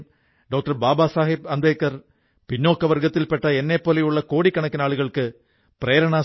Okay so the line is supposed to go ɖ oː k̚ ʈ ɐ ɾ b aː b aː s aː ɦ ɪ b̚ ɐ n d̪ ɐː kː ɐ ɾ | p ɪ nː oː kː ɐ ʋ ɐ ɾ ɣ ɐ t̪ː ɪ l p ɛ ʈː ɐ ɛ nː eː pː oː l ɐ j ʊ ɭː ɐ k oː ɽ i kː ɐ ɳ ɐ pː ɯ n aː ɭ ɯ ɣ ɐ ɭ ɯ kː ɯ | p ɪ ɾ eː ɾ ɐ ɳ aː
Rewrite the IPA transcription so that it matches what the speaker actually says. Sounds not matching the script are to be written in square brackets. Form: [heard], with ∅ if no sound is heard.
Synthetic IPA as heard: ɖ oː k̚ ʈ ɐ ɾ b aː b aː s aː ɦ ɪ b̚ ɐ n d̪ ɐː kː ɐ ɾ | p ɪ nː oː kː ɐ ʋ ɐ ɾ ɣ ɐ t̪ː ɪ l p ɛ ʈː ɐ ɛ nː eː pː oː l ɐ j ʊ ɭː ɐ k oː ɽ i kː ɐ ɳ ɐ [kː] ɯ n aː ɭ ɯ ɣ ɐ ɭ ɯ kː ɯ | p ɪ ɾ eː ɾ ɐ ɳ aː